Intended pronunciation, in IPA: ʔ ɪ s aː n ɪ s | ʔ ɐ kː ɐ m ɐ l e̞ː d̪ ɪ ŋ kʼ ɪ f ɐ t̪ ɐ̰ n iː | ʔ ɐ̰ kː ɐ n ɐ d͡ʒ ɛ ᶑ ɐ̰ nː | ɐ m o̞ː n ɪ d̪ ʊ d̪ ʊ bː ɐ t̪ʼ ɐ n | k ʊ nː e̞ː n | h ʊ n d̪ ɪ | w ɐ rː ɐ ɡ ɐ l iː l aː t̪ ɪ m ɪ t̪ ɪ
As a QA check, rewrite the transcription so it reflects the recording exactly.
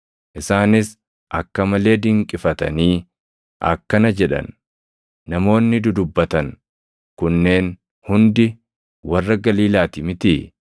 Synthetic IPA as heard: ʔ ɪ s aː n ɪ s | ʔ ɐ kː ɐ m ɐ l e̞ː d̪ ɪ ŋ kʼ ɪ f ɐ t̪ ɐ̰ n iː | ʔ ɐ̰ kː ɐ n ɐ d͡ʒ ɛ ᶑ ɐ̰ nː | ɐ m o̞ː nː ɪ d̪ ʊ d̪ ʊ bː ɐ t̪ ɐ n | k ʊ nː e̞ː n | h ʊ n d̪ ɪ | w ɐ rː ɐ ɡ ɐ l iː l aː t̪ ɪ m ɪ t̪ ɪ